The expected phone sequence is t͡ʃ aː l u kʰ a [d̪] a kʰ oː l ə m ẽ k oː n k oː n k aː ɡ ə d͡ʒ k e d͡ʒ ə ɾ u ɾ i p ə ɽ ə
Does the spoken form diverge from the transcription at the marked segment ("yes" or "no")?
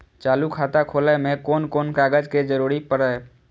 yes